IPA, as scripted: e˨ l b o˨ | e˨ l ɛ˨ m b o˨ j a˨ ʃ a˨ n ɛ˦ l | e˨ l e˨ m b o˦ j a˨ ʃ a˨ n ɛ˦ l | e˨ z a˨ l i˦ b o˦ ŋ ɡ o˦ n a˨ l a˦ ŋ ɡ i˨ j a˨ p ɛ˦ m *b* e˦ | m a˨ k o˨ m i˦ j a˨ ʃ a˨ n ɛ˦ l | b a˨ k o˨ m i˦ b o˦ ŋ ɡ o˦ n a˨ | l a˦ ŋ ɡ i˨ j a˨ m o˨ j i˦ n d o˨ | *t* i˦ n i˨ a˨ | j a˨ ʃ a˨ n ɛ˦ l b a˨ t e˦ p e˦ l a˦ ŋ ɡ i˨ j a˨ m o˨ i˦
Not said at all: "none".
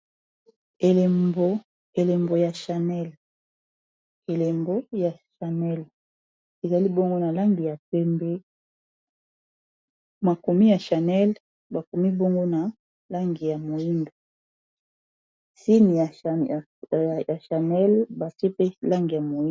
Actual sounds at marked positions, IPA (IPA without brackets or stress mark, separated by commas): b, s